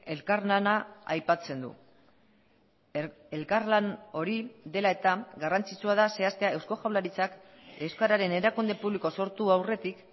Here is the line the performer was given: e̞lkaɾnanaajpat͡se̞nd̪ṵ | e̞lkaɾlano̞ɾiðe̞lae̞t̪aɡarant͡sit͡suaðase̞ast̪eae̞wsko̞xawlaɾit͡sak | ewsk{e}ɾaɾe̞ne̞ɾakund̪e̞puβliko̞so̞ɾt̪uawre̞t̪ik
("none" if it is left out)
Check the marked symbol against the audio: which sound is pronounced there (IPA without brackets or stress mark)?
a